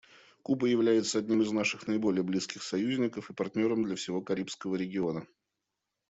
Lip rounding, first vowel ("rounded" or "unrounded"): rounded